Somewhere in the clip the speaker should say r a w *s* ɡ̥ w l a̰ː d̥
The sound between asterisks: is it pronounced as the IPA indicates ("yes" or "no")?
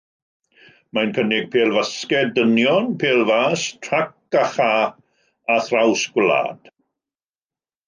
yes